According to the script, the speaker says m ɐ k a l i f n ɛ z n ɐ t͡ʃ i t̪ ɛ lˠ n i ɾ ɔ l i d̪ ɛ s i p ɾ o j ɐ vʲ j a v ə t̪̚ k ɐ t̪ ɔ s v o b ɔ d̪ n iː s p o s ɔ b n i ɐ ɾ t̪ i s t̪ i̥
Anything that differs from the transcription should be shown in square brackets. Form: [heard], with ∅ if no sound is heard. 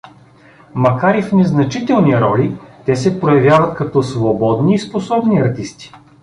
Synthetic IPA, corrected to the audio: m ɐ k a [ɾ] i f n ɛ z n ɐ t͡ʃ i t̪ ɛ lˠ n i ɾ ɔ l i [t̪] ɛ s [ɛ] p ɾ o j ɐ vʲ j a v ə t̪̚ k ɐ t̪ ɔ s v o b ɔ d̪ n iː s p o s ɔ b n i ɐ ɾ t̪ i s t̪ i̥